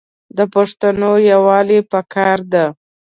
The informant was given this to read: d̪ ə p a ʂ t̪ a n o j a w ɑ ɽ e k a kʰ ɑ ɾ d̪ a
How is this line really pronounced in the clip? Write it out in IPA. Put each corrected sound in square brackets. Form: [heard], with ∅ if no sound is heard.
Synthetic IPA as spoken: d̪ ə p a ʂ t̪ a n o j a w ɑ [l] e [p] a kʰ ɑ ɾ d̪ a